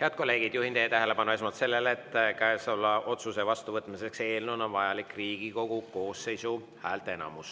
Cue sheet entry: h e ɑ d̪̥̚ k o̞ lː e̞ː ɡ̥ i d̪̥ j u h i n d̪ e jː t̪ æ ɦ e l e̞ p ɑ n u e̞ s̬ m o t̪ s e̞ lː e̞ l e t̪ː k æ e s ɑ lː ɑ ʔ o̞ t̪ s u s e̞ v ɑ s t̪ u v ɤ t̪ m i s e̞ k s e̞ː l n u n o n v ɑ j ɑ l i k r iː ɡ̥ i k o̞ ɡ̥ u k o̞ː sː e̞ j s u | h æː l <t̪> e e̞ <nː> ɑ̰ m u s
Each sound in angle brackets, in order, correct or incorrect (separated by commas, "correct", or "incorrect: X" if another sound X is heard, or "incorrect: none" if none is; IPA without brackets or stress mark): correct, incorrect: n